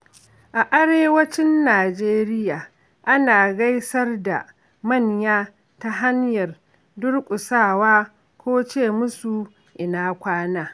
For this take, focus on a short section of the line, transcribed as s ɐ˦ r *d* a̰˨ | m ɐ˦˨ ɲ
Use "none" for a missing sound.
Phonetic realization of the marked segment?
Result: d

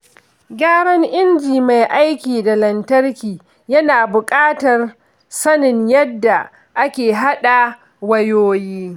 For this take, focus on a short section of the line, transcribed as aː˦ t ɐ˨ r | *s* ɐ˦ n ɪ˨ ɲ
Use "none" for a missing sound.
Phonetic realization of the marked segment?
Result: s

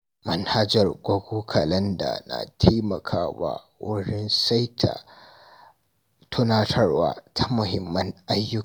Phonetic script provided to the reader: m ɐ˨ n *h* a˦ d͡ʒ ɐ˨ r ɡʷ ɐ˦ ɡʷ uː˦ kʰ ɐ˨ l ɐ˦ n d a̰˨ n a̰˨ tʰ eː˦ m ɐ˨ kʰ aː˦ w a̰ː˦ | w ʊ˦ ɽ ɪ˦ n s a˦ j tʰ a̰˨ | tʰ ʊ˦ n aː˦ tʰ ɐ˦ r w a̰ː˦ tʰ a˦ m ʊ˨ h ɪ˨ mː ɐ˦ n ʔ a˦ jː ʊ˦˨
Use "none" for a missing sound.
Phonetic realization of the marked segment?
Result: h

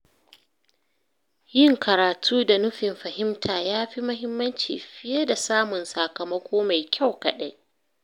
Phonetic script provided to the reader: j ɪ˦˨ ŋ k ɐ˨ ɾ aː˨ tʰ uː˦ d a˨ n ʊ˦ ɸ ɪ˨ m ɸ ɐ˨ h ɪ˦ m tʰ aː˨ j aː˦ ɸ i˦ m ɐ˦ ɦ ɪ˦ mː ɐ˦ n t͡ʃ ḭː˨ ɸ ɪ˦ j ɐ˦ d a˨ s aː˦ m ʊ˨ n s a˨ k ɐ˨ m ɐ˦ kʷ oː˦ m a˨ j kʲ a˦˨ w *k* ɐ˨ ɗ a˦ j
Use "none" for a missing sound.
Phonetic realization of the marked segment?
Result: k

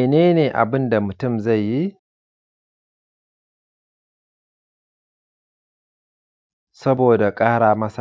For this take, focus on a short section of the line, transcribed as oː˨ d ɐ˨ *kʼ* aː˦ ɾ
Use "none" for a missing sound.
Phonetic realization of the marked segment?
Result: kʼ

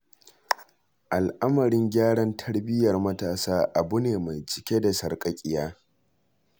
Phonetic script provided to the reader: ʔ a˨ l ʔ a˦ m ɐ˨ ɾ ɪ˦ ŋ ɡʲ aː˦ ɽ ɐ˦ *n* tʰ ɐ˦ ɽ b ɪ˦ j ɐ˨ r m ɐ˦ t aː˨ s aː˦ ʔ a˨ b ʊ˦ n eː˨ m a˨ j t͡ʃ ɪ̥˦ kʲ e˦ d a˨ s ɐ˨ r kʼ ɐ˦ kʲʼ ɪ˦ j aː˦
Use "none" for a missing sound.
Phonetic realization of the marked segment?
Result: n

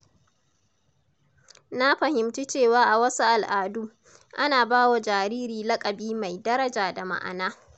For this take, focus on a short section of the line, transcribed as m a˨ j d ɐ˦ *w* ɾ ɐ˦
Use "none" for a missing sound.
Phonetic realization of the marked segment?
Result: none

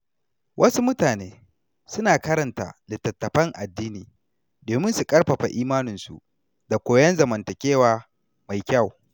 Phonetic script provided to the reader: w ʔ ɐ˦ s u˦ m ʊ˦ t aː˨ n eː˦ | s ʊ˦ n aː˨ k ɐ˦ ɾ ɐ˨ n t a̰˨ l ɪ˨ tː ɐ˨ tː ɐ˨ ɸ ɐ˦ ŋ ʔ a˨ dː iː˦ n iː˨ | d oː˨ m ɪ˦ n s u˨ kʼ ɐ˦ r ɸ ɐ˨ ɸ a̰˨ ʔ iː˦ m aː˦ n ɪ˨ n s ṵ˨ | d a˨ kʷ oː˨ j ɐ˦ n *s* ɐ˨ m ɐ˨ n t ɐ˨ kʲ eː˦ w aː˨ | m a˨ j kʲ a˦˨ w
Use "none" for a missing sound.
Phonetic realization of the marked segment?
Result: z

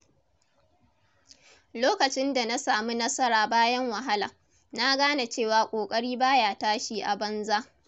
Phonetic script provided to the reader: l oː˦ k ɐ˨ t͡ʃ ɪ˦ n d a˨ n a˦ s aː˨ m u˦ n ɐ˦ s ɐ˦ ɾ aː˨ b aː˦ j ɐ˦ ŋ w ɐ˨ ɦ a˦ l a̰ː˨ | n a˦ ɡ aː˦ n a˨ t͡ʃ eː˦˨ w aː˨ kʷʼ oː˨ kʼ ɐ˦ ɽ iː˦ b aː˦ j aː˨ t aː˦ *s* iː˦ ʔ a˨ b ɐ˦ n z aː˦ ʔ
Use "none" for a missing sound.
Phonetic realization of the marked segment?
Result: ʃ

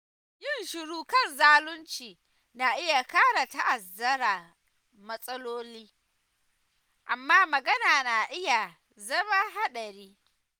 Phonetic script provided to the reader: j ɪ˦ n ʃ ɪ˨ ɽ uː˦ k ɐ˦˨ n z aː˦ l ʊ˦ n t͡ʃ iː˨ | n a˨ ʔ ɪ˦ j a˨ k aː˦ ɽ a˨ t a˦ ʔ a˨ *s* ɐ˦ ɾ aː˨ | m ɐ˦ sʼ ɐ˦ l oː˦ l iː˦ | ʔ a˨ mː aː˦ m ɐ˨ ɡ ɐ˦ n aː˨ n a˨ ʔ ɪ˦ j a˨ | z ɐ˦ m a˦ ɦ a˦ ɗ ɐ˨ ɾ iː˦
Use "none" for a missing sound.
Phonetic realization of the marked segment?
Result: z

